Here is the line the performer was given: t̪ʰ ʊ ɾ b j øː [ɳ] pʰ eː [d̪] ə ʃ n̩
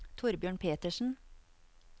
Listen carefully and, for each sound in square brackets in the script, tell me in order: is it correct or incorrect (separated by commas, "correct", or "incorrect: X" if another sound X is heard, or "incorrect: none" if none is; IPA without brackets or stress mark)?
correct, incorrect: t̪